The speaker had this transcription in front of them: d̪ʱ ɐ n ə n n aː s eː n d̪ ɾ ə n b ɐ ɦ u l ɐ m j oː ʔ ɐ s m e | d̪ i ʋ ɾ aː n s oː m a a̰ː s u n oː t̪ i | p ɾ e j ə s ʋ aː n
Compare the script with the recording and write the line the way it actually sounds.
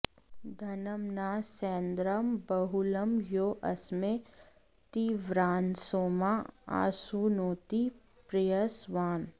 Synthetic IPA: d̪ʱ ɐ n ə m n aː s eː n d̪ ɾ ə m b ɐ ɦ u l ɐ m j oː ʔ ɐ s m e | t̪ i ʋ ɾ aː n s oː m a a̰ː s u n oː t̪ i | p ɾ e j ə s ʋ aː n